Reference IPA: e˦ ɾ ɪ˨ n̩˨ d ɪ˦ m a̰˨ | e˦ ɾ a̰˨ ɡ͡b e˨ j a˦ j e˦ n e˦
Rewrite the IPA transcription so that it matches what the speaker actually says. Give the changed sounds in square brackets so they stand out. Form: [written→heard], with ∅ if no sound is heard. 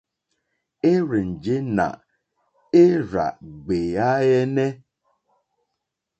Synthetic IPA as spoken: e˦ ɾ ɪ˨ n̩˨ [d→d͡ʒ] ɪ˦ [m→n] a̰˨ | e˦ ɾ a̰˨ ɡ͡b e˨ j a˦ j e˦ n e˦